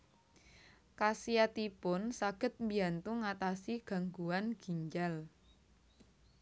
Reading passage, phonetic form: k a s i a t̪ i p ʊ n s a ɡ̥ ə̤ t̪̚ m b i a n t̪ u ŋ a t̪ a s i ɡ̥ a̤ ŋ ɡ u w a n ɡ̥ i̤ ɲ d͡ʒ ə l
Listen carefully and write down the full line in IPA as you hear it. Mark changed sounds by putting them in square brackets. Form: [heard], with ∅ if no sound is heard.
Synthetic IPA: k a s i a t̪ i p ʊ n s a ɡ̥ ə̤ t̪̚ m b i a n t̪ u ŋ a t̪ a s i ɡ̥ a̤ ŋ ɡ u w a n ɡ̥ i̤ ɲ d͡ʒ [a] l